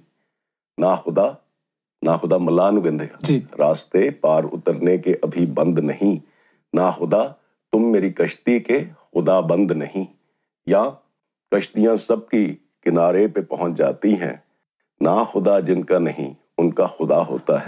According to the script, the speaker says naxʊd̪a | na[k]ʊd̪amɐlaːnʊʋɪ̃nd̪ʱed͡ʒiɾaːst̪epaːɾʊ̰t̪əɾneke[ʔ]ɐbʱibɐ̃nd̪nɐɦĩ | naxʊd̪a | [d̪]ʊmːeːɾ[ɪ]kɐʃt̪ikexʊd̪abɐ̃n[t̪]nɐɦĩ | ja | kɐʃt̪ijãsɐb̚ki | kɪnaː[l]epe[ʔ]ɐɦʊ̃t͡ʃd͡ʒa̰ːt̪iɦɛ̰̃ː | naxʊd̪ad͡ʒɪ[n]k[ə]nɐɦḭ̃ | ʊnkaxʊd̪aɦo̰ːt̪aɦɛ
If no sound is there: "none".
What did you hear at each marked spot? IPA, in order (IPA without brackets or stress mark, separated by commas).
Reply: x, ʔ, t̪, i, d̪, ɾ, p, n, a